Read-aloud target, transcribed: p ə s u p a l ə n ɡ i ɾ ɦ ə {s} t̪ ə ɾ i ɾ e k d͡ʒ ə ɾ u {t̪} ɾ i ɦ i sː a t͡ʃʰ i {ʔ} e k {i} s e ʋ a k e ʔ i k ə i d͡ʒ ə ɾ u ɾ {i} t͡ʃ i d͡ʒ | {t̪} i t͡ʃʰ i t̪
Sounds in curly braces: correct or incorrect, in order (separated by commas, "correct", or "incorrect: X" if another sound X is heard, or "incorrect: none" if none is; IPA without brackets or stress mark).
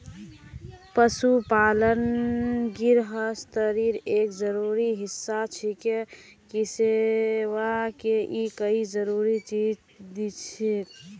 correct, incorrect: none, incorrect: k, correct, correct, incorrect: d̪